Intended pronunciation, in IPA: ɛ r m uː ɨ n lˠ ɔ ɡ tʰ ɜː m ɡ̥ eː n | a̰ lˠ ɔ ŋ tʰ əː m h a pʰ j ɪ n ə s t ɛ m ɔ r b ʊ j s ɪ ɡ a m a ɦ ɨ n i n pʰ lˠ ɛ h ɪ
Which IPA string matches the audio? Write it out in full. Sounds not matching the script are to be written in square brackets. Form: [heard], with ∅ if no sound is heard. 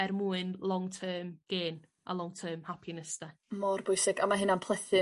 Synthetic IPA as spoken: ɛ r m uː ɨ n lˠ ɔ [ŋ] tʰ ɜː m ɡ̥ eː n | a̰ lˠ ɔ ŋ tʰ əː m h a pʰ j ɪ n ə s t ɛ m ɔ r b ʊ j s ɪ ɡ a m a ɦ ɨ n [a] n pʰ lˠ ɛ [θ] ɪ